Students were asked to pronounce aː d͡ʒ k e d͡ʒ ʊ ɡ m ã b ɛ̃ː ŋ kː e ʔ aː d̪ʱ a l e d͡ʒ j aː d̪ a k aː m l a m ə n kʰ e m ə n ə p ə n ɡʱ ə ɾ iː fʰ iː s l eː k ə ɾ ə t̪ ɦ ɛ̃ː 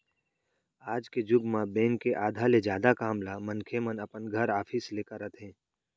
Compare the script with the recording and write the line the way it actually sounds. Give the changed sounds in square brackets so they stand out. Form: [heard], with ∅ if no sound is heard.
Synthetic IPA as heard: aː d͡ʒ k e d͡ʒ ʊ ɡ m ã b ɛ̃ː ŋ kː e ʔ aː d̪ʱ a l e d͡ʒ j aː d̪ a k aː m l a m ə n kʰ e m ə n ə p ə n ɡʱ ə ɾ [aː] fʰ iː s l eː k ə ɾ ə t̪ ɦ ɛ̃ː